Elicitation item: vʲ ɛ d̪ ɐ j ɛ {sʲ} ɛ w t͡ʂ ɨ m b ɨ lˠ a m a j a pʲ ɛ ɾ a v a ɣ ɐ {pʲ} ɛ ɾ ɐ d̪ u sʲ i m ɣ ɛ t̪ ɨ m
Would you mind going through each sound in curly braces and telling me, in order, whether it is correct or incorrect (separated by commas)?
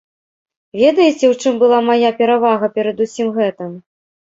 incorrect, correct